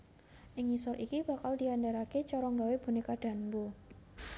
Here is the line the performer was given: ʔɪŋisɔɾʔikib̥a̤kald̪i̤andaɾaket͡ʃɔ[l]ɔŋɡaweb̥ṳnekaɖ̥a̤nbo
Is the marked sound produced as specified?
no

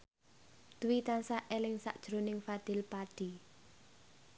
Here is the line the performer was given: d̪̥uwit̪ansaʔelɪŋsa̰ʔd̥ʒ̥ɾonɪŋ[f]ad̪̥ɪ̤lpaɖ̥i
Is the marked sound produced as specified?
yes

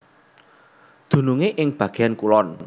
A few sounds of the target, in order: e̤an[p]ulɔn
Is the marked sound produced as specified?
no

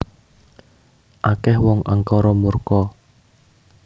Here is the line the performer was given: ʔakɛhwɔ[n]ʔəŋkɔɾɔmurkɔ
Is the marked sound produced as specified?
no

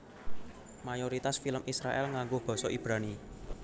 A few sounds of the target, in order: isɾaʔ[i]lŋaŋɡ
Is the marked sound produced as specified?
no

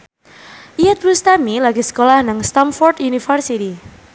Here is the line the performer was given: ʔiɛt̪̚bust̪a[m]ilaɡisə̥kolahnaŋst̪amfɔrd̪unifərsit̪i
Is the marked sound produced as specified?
yes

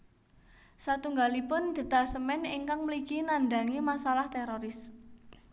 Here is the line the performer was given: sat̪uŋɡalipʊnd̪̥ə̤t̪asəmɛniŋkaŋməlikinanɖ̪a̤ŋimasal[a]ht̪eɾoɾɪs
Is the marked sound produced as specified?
yes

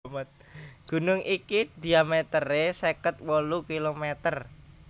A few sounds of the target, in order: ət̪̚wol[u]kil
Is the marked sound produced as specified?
yes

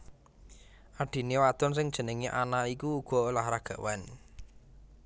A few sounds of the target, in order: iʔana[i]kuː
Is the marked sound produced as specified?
yes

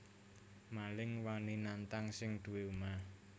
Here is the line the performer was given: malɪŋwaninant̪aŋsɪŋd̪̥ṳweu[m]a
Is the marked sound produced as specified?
yes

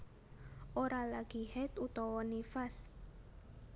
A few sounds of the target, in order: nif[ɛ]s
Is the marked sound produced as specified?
no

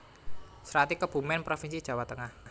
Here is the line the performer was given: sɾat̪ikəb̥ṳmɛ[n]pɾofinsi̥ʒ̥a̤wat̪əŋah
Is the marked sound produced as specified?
yes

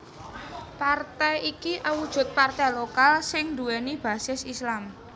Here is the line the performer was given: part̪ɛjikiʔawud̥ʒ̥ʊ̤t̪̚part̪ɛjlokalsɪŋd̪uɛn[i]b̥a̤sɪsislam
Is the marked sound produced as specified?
yes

